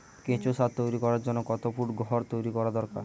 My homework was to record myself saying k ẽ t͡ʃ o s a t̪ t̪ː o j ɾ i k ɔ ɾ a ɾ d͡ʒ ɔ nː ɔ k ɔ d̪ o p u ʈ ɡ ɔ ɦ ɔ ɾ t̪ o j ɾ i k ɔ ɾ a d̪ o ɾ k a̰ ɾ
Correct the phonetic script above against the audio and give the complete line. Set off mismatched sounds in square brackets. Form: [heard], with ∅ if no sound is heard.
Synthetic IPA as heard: k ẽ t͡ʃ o s a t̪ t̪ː o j ɾ i k ɔ ɾ a ɾ d͡ʒ ɔ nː ɔ k ɔ [t̪] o p u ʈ ɡ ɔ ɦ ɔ ɾ t̪ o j ɾ i k ɔ ɾ a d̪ [ɔ] ɾ k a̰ ɾ